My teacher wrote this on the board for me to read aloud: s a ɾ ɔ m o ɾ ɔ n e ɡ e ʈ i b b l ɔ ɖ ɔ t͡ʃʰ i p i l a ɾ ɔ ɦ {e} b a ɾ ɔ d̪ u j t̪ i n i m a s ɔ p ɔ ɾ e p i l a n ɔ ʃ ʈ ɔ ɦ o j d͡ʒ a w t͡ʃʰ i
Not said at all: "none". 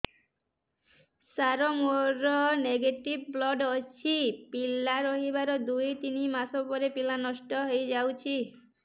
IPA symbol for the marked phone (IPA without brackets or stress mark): i